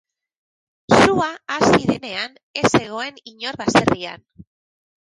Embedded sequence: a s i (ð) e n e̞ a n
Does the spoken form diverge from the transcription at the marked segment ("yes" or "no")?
no